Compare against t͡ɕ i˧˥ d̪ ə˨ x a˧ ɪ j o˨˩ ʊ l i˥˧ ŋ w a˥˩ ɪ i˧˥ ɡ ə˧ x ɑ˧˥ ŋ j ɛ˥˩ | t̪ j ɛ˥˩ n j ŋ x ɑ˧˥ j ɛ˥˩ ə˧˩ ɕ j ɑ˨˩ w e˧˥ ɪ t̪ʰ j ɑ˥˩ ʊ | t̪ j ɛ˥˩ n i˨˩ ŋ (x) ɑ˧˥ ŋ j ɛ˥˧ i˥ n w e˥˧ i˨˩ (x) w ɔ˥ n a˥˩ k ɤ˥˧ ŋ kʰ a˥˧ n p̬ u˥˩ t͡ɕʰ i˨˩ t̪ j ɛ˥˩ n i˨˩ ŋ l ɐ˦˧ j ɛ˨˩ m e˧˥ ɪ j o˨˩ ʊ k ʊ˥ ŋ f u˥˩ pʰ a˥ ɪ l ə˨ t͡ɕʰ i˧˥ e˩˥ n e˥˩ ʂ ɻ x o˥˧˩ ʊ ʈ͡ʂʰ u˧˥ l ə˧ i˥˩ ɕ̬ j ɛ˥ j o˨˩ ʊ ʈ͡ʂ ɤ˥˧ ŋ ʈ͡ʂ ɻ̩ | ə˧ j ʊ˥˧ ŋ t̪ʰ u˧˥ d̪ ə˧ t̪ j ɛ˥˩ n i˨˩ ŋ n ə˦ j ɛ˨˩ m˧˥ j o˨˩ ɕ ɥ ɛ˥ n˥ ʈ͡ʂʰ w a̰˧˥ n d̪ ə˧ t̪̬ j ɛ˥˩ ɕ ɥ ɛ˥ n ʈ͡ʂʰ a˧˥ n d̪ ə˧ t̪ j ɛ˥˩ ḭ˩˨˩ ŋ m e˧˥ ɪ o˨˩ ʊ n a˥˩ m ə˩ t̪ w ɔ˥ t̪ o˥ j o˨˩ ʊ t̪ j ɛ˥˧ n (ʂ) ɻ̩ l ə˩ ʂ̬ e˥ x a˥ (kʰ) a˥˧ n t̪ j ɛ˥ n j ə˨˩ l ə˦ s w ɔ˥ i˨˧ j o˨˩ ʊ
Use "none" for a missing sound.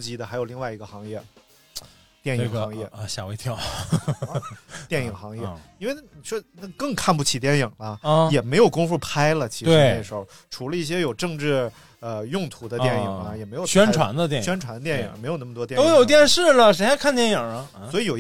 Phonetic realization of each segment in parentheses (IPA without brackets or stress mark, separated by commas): x, ʂ, ʂ, kʰ